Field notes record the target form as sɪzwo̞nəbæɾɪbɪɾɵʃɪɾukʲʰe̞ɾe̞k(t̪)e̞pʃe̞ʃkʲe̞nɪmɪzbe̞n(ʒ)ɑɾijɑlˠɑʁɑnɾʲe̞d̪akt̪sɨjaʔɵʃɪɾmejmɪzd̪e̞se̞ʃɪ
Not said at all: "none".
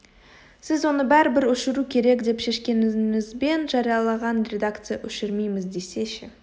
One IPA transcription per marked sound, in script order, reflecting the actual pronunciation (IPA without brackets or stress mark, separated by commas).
d̪, ʒ